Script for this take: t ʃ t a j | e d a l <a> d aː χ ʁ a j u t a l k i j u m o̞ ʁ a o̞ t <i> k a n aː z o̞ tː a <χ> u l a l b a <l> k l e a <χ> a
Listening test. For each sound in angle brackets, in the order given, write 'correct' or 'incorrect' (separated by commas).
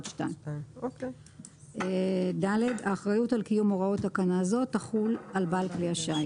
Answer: incorrect, incorrect, correct, correct, incorrect